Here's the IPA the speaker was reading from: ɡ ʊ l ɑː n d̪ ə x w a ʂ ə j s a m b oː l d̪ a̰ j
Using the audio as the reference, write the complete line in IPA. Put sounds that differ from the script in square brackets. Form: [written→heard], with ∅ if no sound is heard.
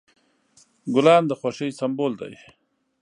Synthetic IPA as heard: ɡ ʊ l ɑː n d̪ ə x w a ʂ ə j s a m b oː l d̪ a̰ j